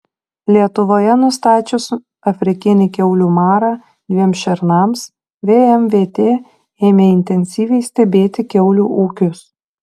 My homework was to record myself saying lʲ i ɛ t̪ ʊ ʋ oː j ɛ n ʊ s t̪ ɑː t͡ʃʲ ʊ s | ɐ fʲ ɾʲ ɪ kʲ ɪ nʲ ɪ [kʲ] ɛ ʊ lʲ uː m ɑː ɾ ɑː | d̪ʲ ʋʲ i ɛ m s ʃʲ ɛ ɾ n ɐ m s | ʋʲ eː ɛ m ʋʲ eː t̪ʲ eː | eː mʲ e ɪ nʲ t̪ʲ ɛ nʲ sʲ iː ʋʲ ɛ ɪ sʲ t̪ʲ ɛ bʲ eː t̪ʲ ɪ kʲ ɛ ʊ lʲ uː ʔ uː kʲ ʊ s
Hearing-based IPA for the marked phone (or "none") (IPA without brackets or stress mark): kʲ